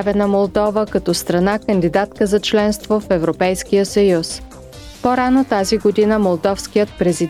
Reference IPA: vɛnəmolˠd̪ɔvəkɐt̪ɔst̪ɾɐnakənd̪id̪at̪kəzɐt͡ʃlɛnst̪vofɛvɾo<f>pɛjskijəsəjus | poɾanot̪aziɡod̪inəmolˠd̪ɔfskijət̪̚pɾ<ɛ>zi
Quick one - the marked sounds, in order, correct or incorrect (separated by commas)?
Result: incorrect, correct